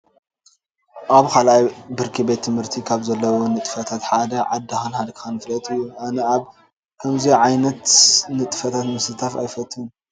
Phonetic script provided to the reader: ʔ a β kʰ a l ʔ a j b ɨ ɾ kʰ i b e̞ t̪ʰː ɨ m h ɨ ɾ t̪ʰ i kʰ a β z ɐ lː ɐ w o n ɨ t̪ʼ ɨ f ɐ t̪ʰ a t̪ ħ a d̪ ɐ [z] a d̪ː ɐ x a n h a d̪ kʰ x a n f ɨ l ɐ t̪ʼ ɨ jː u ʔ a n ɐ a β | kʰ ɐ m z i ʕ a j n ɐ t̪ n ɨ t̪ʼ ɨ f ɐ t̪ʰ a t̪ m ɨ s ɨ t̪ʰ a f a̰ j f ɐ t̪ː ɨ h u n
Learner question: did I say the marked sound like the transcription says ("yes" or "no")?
no